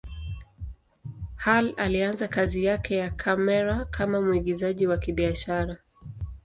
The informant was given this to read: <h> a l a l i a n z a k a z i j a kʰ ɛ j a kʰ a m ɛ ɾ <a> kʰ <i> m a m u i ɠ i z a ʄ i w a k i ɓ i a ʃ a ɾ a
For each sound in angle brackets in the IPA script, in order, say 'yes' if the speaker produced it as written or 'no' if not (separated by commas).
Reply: yes, yes, no